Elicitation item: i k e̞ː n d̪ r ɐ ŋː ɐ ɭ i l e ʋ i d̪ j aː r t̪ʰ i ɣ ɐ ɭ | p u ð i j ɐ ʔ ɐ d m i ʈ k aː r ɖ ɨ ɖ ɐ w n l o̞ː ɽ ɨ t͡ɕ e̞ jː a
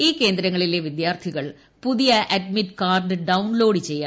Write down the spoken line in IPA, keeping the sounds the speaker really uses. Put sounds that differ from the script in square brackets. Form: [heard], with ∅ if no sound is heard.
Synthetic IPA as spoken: [iː] k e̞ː n d̪ [ɾ] ɐ ŋː ɐ ɭ i l e ʋ i d̪ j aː r t̪ʰ i ɣ ɐ ɭ | p u ð i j ɐ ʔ ɐ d m i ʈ k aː r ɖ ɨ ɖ ɐ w n l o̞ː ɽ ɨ t͡ɕ e̞ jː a